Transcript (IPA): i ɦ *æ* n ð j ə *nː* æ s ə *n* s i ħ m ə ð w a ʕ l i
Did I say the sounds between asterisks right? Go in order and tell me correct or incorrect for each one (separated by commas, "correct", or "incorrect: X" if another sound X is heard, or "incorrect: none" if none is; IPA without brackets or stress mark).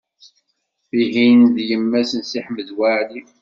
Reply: incorrect: i, incorrect: mː, correct